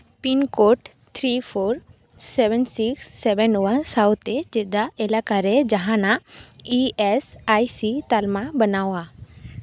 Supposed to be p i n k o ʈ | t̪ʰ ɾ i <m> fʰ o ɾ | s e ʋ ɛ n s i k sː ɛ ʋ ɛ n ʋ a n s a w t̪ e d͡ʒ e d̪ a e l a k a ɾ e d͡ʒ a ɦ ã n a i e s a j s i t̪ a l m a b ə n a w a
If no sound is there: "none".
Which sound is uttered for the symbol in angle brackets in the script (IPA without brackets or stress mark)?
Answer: none